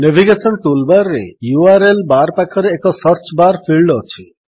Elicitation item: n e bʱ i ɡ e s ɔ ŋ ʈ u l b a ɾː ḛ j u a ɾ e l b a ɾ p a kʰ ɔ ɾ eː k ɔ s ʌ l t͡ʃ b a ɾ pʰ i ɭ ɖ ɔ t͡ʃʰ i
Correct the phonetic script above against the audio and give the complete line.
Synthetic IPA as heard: n e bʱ i ɡ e s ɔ n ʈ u l b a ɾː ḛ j u a ɾ e l b a ɾ p a kʰ ɔ ɾ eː k ɔ s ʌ ɾ t͡ʃ b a ɾ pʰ i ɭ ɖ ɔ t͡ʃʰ i